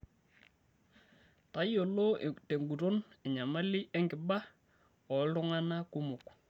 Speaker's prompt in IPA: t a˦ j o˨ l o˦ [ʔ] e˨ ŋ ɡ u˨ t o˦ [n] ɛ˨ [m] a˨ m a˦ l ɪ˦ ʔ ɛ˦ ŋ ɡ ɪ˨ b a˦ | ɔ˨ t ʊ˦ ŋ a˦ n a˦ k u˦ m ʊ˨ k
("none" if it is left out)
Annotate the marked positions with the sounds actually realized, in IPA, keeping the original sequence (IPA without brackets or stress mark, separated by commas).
t, n, ɲ